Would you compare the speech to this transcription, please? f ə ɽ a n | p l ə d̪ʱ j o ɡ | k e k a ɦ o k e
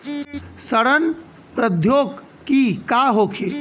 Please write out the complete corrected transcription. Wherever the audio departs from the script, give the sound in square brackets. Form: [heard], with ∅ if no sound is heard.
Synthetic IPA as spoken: [s] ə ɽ [ə] n | p [ɾ] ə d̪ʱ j o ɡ | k [i] k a ɦ o [kʰ] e